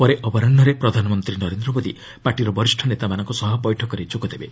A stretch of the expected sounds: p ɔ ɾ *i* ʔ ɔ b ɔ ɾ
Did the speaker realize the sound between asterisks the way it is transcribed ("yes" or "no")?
no